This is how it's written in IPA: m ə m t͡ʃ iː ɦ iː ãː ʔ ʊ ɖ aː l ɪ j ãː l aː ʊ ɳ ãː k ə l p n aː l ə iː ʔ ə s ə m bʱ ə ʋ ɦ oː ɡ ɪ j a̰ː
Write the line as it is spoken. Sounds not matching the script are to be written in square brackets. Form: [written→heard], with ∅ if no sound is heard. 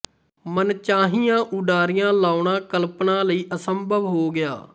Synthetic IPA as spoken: m ə [m→n] t͡ʃ [iː→aː] ɦ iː ãː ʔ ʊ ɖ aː [l→ɾ] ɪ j ãː l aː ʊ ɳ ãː k ə l p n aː l ə iː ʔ ə s ə m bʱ ə ʋ ɦ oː ɡ ɪ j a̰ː